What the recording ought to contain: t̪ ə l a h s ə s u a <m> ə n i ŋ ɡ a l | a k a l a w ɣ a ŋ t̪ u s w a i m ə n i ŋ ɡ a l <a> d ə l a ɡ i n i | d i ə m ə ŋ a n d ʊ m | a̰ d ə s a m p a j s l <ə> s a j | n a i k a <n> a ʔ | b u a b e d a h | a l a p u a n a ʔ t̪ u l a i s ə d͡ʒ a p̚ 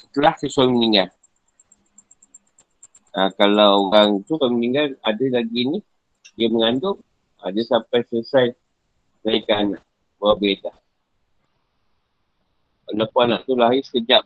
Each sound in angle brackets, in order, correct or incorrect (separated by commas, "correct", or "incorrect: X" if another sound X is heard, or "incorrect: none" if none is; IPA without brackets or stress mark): correct, correct, correct, correct